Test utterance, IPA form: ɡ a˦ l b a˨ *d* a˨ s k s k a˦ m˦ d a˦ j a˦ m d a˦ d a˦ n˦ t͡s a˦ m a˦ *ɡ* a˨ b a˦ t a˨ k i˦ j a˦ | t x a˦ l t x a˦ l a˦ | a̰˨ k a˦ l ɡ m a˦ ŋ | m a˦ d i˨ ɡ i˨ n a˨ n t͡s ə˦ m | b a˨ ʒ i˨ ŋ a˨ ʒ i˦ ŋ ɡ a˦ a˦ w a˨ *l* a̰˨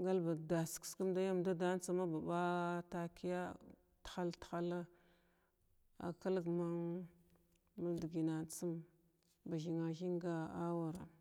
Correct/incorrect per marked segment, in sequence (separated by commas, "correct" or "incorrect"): correct, incorrect, incorrect